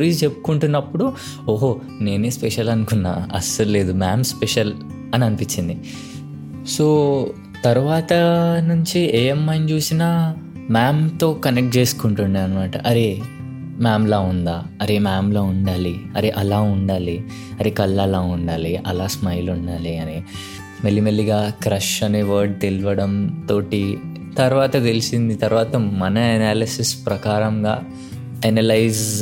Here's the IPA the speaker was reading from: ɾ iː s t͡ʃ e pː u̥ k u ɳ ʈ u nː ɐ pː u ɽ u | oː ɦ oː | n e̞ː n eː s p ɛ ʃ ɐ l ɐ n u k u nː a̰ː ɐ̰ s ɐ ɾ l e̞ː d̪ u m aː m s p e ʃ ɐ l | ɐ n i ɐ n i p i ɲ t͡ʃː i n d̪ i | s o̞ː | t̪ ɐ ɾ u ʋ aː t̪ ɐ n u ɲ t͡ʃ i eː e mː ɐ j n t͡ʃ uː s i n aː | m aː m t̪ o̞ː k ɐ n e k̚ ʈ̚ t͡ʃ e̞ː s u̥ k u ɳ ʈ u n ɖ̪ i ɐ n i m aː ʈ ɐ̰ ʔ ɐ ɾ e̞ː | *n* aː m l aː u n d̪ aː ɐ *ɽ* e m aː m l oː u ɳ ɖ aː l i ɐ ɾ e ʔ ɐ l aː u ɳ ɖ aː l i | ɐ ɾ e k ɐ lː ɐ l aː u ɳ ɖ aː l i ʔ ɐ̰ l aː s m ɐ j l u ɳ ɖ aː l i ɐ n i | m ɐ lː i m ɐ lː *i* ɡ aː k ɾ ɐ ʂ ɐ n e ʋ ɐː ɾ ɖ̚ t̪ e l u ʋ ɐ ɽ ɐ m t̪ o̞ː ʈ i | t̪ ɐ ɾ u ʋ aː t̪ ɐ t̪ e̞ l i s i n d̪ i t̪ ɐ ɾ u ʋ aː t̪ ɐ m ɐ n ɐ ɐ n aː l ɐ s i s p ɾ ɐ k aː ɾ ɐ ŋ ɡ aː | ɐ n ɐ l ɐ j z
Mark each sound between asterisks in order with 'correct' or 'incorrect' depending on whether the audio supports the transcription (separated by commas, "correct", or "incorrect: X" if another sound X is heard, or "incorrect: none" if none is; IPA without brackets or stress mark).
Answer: incorrect: m, incorrect: ɾ, correct